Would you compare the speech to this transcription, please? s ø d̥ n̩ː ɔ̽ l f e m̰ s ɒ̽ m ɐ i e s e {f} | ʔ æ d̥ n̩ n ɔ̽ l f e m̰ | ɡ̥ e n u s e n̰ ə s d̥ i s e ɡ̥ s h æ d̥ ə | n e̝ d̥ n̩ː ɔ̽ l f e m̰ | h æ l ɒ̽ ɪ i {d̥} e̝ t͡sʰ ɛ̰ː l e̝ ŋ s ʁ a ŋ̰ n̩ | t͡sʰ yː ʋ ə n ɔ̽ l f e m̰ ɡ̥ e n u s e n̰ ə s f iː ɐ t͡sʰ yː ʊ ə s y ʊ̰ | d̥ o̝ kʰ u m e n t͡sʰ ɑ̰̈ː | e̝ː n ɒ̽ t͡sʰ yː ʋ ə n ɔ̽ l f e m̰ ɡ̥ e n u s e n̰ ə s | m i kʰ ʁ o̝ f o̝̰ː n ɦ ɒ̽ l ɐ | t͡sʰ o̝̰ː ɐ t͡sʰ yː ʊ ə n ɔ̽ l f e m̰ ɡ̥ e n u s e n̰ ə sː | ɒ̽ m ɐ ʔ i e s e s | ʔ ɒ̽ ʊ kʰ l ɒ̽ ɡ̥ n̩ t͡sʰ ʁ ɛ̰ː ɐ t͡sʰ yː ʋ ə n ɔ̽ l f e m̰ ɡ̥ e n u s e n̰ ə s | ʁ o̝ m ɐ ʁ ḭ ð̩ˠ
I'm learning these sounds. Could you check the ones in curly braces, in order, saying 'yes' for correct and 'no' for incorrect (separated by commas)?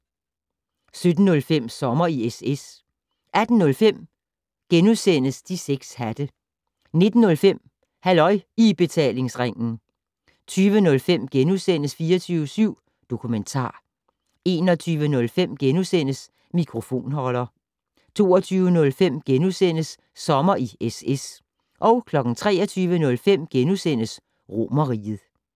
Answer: no, no